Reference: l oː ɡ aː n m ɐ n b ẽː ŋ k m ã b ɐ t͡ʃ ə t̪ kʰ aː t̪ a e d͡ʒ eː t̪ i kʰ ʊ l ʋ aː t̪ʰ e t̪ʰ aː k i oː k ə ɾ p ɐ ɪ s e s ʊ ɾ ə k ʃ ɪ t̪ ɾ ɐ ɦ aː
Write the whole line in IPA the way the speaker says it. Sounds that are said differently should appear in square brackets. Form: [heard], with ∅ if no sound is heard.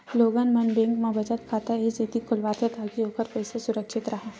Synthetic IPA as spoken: l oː ɡ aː n m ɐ n b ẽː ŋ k m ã b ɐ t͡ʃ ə t̪ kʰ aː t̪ a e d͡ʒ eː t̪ i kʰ ʊ l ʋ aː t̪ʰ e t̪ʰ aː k i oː k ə ɾ p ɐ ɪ s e s ʊ ɾ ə k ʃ ɪ t̪ ɾ ɐ ɦ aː